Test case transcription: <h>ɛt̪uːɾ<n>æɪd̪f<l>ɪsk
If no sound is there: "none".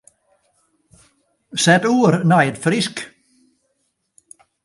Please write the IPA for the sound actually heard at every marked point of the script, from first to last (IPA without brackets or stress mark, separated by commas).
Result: s, n, ɾ